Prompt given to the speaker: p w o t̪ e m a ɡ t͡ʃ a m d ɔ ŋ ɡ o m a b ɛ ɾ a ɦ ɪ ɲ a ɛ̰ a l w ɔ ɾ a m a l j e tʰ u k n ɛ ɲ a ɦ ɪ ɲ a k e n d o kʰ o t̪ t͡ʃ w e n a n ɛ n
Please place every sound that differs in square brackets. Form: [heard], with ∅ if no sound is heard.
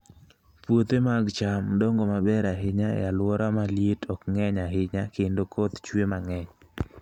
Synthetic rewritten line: p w o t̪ e m a ɡ t͡ʃ a m d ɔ ŋ ɡ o m a b ɛ ɾ a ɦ ɪ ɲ a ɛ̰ a l w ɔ ɾ a m a l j e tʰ [ɔ] k [ŋ] ɛ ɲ a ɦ ɪ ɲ a k e n d o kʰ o t̪ t͡ʃ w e [m] a [ŋ] ɛ [ɲ]